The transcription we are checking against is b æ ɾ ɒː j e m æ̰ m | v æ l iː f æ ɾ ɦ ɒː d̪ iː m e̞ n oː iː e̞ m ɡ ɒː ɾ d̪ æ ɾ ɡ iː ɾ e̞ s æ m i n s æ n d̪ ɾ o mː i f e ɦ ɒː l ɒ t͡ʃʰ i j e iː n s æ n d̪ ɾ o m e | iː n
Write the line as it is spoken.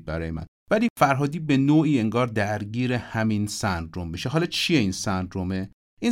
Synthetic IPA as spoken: b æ ɾ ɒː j e m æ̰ n | v æ l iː f æ ɾ ɦ ɒː d̪ iː b e̞ n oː iː e̞ ŋ ɡ ɒː ɾ d̪ æ ɾ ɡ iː ɾ e̞ h æ m i n s æ n d̪ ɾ o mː i ʃ e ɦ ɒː l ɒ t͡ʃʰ i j e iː n s æ n d̪ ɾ o m e | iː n